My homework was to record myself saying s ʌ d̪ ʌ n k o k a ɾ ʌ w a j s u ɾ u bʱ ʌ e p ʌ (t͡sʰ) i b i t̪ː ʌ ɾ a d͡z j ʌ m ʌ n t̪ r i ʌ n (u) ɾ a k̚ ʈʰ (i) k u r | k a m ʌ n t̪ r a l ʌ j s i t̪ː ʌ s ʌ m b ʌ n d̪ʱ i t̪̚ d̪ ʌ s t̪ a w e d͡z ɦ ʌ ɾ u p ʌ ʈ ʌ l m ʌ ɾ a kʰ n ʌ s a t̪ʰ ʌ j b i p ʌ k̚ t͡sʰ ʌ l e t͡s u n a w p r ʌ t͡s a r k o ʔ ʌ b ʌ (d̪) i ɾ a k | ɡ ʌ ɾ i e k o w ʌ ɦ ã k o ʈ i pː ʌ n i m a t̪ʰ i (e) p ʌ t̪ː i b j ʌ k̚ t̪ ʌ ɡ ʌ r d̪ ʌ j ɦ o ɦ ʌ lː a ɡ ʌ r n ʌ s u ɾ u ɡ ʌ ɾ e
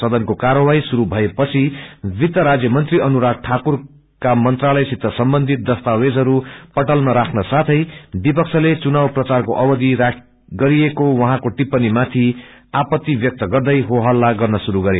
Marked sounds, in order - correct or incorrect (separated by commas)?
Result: correct, correct, incorrect, correct, incorrect